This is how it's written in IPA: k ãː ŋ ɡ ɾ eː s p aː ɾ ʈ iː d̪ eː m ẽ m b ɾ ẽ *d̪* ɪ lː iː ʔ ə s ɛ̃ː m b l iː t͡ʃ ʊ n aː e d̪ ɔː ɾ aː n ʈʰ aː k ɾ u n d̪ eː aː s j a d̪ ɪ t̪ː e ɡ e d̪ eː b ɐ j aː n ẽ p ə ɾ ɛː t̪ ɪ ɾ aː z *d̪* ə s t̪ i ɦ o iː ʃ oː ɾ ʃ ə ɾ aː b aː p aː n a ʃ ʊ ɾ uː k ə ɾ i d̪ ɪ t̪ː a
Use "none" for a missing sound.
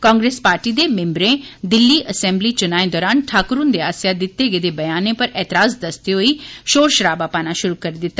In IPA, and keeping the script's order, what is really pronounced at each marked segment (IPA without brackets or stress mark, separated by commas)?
d̪, d̪